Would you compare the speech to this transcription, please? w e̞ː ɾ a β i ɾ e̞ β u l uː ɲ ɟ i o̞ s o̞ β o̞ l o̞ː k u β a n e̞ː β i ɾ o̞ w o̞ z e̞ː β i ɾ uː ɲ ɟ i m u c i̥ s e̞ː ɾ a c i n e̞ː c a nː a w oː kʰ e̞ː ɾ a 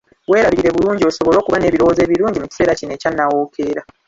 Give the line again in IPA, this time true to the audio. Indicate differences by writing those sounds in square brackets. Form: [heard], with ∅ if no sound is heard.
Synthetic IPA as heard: w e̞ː ɾ a β i ɾ e̞ β u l uː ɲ ɟ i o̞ s o̞ β o̞ l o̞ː k u β a n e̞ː β i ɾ o̞ w o̞ z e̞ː β i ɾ uː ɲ ɟ i m u c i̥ s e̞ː ɾ a c i n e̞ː c a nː a w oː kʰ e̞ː ɾ a